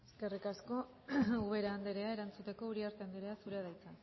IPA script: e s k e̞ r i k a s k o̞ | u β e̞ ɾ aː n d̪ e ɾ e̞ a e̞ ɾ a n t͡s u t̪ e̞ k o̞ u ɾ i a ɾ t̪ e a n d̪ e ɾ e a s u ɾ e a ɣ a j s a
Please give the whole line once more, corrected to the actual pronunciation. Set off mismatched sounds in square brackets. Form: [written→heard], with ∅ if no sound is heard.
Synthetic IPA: e s k e̞ r i k a s k o̞ | u β e̞ ɾ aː n d̪ e ɾ e̞ a e̞ ɾ a n t͡s u t̪ e̞ k o̞ u ɾ i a ɾ t̪ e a n d̪ e ɾ e a s u ɾ e a [ɣ→ð] a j [s→t͡s] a